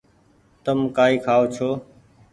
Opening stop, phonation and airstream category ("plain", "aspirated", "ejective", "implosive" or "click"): plain